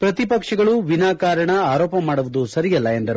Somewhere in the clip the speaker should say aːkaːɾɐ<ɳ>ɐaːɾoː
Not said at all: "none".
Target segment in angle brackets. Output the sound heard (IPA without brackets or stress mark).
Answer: ɳ